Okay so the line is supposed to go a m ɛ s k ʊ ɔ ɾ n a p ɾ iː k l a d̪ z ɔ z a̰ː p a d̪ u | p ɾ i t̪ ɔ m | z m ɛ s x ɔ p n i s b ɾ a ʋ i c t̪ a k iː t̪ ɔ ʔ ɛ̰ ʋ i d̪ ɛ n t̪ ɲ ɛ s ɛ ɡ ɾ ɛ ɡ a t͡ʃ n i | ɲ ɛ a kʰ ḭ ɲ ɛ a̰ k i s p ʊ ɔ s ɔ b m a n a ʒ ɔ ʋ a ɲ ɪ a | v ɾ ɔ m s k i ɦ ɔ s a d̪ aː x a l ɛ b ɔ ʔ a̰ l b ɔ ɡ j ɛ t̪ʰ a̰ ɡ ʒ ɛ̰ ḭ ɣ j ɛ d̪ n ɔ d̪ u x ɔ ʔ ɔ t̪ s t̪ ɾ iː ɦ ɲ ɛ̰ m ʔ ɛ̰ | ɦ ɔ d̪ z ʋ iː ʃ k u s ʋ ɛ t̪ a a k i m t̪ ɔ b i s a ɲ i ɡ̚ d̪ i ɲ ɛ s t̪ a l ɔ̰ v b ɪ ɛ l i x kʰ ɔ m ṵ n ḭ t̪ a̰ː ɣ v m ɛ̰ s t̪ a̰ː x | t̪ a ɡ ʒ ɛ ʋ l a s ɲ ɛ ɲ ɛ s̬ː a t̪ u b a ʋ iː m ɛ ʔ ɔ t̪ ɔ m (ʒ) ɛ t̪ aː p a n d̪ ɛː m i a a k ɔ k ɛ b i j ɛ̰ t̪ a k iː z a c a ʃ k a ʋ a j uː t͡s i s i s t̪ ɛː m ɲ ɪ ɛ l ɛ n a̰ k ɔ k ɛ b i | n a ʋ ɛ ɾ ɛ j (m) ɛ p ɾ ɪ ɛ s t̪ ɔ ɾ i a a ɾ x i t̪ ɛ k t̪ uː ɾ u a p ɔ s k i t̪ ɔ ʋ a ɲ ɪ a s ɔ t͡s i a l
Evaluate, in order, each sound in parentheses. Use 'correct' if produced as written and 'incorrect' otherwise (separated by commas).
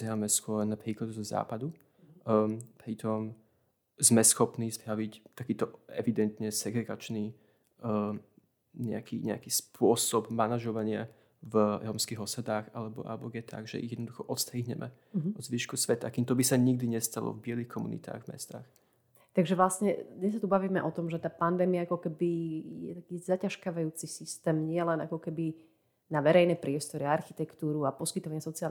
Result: correct, incorrect